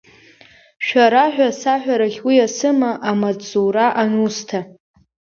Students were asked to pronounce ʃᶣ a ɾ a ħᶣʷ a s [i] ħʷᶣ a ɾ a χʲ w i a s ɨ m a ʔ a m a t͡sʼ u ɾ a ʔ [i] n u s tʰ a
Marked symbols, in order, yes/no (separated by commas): no, no